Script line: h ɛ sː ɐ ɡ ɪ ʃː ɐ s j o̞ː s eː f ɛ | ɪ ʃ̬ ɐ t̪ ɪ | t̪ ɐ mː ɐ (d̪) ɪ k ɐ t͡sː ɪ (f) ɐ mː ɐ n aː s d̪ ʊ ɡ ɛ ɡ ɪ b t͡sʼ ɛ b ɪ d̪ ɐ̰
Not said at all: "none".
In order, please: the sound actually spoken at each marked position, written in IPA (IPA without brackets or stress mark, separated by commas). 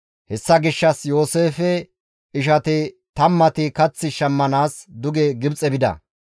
t̪, ʃ